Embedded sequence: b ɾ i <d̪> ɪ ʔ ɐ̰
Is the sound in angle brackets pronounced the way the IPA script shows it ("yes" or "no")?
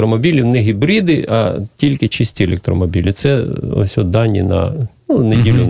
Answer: yes